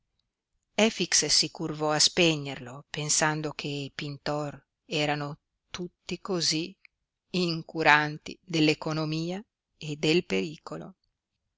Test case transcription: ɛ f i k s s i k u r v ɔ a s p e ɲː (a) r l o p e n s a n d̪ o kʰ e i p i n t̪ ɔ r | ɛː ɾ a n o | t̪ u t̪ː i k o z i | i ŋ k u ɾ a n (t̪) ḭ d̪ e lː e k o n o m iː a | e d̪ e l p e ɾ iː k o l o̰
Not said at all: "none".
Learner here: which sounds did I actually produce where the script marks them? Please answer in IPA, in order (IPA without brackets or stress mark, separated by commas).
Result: e, t̪